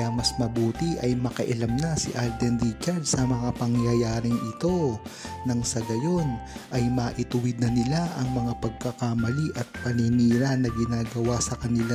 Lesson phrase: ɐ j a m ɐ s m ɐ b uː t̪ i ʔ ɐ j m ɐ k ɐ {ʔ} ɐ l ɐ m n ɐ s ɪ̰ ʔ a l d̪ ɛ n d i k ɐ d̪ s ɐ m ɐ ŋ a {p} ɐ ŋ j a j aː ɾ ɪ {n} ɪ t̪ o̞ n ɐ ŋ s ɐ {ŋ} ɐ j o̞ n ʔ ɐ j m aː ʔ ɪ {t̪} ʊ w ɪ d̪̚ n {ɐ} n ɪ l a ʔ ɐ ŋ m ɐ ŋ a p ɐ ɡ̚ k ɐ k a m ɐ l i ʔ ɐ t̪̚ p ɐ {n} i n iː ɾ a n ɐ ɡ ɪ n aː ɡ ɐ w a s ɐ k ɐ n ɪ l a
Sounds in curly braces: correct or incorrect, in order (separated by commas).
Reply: correct, correct, incorrect, incorrect, correct, correct, correct